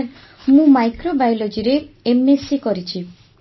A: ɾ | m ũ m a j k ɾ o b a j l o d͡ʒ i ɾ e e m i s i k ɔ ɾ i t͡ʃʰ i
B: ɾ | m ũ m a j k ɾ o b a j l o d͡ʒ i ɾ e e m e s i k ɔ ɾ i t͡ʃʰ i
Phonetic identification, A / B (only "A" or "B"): B